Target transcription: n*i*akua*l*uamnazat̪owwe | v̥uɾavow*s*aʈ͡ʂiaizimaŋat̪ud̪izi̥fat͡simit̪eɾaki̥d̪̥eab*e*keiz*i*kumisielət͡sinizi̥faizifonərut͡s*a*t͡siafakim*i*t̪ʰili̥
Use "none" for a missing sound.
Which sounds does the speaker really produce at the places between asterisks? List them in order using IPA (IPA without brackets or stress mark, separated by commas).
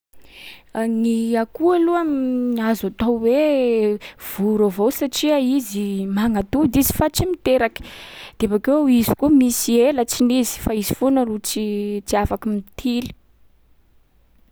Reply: i, l, s, a, i, i, i